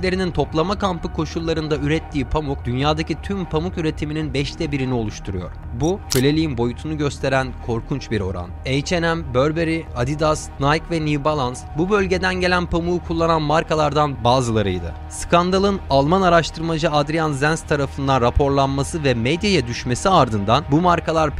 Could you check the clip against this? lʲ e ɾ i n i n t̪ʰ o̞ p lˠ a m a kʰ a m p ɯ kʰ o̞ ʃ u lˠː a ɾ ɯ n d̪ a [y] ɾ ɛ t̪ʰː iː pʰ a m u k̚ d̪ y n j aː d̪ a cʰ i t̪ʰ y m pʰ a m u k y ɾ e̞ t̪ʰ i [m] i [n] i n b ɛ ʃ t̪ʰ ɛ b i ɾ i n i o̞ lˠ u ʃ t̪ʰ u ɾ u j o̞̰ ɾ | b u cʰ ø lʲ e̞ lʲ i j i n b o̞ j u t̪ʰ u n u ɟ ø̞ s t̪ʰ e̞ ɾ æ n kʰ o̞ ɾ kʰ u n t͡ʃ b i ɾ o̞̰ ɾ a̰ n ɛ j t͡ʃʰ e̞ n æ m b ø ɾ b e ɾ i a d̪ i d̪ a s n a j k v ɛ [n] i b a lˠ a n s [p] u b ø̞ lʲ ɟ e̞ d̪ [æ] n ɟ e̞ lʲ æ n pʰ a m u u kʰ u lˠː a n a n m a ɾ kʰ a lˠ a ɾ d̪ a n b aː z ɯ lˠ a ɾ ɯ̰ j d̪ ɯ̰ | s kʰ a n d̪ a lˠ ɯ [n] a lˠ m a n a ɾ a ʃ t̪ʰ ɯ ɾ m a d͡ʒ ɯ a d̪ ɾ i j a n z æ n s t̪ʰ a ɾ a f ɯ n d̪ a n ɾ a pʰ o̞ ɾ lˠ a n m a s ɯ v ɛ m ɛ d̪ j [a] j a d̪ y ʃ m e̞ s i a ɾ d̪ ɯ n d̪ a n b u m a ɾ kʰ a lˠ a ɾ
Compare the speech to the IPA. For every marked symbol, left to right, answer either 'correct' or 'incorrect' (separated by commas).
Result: correct, correct, correct, correct, incorrect, correct, correct, correct